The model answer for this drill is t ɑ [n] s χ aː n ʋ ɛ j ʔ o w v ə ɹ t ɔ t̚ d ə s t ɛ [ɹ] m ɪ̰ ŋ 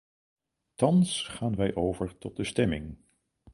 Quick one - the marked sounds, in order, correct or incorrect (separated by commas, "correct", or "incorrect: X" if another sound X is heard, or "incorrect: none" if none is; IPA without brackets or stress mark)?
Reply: correct, incorrect: none